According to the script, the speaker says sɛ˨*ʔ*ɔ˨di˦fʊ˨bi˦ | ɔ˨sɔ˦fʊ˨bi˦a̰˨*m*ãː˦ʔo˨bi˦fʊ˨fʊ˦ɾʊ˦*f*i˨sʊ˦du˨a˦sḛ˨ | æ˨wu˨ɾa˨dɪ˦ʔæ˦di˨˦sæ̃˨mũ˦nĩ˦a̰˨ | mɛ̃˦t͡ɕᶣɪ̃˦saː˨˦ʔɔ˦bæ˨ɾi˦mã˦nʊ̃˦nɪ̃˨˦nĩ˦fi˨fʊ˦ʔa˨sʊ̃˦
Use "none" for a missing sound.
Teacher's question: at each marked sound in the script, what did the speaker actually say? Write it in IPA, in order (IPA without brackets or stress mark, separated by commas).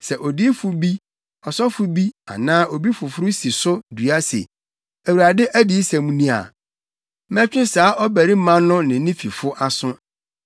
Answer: ʔ, n, s